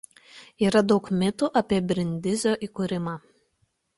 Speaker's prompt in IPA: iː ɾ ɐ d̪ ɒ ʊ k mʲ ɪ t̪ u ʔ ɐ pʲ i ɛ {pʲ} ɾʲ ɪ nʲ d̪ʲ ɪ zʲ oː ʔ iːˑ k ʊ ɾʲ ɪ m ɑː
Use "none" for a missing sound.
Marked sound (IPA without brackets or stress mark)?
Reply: bʲ